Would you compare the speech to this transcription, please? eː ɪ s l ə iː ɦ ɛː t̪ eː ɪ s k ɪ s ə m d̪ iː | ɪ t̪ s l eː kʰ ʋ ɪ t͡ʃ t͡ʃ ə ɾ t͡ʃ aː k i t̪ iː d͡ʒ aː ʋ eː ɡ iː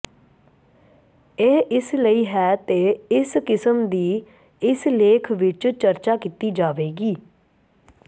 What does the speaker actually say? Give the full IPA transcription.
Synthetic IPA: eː ɪ s l ə iː ɦ ɛː t̪ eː ɪ s k ɪ s ə m d̪ iː | ɪ s l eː kʰ ʋ ɪ t͡ʃ t͡ʃ ə ɾ t͡ʃ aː k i t̪ iː d͡ʒ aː ʋ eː ɡ iː